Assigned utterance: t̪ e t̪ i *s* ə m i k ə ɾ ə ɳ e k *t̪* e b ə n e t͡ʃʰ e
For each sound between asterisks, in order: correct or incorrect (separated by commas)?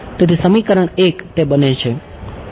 correct, correct